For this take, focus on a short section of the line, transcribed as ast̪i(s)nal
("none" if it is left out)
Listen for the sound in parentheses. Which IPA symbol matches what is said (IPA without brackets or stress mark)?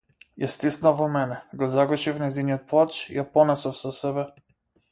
s